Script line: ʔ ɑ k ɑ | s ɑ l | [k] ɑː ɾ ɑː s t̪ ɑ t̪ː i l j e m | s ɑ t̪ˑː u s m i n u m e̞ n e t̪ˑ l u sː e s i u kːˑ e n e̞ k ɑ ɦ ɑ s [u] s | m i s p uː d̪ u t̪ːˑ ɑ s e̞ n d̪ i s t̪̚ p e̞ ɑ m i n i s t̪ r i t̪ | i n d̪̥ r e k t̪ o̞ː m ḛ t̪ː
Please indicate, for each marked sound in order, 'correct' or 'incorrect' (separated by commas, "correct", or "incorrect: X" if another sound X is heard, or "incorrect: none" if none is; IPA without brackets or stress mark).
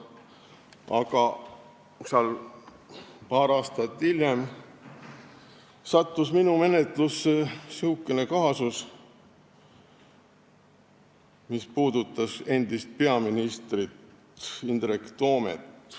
incorrect: p, correct